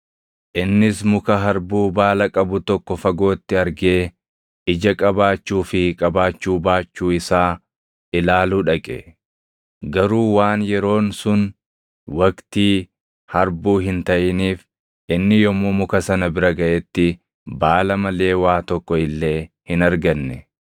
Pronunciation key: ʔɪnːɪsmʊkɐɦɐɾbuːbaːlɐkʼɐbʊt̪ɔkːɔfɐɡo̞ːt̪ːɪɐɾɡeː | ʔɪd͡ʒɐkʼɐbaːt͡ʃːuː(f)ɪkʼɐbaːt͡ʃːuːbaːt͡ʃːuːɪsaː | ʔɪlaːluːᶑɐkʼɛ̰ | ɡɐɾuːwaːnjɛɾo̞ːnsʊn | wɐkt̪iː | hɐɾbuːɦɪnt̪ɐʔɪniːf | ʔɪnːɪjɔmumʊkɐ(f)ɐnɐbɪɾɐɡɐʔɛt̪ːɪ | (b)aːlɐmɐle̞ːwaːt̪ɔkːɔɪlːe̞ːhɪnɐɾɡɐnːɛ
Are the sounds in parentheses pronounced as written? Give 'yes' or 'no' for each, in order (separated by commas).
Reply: yes, no, yes